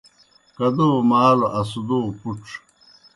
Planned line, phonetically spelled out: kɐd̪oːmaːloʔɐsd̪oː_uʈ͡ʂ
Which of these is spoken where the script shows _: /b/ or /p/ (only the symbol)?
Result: p